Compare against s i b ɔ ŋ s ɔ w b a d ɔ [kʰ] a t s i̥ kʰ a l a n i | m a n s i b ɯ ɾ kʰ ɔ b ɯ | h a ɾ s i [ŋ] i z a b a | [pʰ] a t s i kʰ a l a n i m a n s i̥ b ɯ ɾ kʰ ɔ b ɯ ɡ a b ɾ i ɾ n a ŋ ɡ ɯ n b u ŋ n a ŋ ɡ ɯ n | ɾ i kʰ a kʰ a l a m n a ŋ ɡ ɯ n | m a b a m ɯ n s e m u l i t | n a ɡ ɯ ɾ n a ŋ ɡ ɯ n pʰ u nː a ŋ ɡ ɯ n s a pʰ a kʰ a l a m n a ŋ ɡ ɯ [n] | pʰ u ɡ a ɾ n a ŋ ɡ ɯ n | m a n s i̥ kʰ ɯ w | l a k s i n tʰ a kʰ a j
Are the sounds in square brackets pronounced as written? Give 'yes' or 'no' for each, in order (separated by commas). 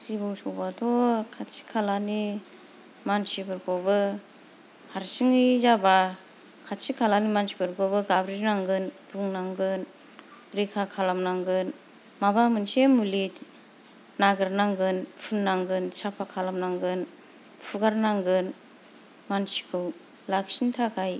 yes, yes, no, yes